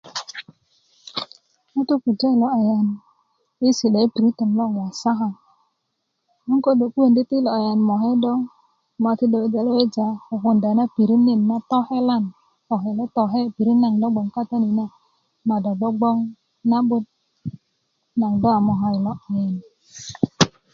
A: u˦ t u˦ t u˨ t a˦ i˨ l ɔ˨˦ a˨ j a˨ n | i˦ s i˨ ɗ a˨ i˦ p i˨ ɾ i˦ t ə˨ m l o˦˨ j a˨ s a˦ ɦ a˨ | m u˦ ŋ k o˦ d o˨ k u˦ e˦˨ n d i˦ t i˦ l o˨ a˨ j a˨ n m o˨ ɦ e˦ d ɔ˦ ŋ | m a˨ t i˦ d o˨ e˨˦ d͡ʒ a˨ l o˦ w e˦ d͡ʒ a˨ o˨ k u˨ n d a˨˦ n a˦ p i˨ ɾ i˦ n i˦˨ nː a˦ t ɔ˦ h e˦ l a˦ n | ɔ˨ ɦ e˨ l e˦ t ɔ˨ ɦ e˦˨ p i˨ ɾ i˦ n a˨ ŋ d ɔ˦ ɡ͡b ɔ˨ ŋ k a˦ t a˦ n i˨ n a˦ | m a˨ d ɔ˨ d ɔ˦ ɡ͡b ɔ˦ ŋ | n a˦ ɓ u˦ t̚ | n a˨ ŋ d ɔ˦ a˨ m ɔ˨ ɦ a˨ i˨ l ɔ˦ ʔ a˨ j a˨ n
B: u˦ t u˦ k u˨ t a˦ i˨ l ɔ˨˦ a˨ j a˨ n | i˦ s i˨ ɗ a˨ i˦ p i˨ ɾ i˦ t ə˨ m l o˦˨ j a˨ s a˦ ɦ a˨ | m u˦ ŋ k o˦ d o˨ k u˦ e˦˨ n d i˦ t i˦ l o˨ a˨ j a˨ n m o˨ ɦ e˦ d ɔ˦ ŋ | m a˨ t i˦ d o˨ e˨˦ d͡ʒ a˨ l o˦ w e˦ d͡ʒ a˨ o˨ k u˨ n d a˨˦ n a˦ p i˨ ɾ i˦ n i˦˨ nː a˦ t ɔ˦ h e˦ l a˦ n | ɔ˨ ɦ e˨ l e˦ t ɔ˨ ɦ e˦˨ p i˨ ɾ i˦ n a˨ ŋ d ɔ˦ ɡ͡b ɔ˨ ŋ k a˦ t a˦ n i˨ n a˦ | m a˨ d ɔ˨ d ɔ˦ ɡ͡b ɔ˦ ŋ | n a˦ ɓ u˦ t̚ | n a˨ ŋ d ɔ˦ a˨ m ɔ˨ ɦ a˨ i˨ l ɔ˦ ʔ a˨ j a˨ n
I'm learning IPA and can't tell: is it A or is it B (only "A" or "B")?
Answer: B